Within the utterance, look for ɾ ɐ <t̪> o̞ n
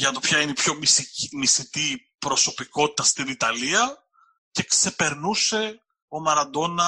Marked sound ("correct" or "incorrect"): incorrect